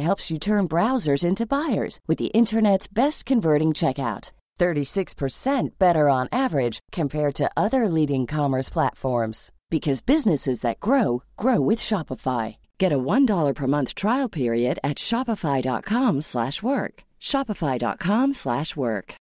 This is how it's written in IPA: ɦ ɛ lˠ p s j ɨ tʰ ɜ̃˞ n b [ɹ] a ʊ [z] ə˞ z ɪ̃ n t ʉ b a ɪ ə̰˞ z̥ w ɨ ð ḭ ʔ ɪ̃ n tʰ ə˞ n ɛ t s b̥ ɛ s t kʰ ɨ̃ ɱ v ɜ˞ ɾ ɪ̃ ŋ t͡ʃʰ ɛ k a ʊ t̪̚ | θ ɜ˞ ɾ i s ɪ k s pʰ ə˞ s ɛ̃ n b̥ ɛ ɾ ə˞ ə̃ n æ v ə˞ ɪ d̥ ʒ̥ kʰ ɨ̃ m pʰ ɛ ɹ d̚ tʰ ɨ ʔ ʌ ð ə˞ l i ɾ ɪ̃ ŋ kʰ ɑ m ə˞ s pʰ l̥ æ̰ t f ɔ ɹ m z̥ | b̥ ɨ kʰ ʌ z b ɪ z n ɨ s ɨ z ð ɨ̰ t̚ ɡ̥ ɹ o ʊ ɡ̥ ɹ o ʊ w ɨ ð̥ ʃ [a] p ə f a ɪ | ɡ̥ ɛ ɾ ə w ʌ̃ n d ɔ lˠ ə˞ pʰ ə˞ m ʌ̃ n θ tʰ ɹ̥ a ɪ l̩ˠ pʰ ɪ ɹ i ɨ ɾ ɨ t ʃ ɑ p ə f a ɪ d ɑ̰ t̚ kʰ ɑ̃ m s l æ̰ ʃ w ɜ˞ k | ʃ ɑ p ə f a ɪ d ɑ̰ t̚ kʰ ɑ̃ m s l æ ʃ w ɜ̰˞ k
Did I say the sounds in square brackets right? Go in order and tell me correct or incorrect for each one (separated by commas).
correct, correct, incorrect